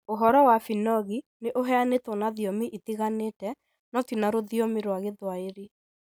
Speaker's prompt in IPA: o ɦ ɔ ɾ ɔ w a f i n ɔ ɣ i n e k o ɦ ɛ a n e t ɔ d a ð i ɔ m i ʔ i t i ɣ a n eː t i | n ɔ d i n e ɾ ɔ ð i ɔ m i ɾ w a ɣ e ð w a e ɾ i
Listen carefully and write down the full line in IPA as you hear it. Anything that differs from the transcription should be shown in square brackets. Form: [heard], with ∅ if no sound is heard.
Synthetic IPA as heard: o ɦ ɔ ɾ ɔ w a f i n ɔ ɣ i n e [ʔ] o ɦ ɛ a n e t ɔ [n] a ð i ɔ m i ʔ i t i ɣ a n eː t [ɛ] | n ɔ [t] i n [a] ɾ [o] ð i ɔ m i ɾ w a ɣ e ð w a e ɾ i